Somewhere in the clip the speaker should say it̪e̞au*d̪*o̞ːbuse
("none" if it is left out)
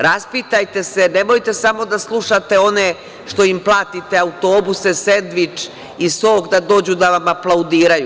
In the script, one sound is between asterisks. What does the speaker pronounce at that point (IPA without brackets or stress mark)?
t̪